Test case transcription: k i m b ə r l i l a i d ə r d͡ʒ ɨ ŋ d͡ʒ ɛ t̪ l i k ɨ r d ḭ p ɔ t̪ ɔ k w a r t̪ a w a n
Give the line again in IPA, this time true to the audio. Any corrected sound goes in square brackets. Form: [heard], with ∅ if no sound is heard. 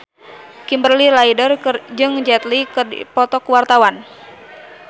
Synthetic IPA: k i m b ə r l i l a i d ə r d͡ʒ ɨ ŋ d͡ʒ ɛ t̪ l i k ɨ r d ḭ p ɔ t̪ ɔ k w a r t̪ a w a n